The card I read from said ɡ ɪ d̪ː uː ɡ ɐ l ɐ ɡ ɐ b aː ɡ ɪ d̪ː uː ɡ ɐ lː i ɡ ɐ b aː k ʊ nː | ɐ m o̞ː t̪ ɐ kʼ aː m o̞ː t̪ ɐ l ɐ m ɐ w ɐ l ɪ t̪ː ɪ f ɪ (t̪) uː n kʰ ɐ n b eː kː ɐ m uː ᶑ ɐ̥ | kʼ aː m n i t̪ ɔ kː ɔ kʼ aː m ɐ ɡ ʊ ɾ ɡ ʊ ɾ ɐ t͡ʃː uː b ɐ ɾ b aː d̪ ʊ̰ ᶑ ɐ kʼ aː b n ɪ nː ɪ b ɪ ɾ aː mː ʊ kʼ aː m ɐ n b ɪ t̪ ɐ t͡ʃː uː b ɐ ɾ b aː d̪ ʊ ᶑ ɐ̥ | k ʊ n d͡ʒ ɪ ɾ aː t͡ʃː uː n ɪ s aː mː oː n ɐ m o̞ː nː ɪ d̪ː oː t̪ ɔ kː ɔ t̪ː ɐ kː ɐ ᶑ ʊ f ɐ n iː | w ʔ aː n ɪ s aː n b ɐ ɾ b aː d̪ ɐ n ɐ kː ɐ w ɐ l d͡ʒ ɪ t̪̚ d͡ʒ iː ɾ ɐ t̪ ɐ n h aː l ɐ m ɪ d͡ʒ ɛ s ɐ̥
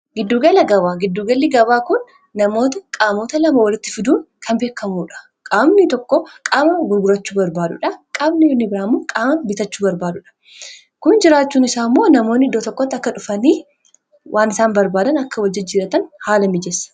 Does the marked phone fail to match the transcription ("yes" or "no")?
yes